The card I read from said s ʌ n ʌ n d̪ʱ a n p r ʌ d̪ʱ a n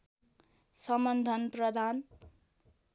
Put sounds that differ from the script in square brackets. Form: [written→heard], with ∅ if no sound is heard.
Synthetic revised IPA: s ʌ [n→m] ʌ n d̪ʱ [a→ʌ] n p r ʌ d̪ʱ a n